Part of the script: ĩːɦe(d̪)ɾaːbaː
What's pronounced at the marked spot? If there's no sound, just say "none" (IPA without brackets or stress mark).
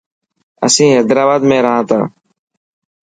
d̪